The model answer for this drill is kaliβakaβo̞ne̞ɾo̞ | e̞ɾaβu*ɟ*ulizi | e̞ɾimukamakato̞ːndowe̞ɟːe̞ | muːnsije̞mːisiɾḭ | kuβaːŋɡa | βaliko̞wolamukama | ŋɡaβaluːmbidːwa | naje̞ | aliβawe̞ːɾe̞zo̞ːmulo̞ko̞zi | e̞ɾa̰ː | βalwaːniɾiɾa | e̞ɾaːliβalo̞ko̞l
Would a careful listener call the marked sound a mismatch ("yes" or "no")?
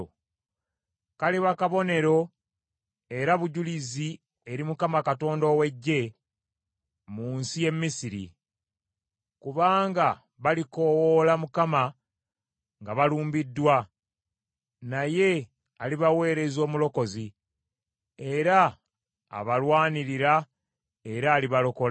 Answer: no